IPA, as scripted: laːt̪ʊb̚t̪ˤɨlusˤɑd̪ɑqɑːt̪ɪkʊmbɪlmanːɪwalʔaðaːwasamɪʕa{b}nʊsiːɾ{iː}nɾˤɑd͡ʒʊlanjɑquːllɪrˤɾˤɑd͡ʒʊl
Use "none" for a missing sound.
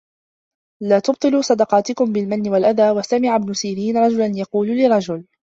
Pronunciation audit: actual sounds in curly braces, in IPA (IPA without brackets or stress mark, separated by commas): b, iː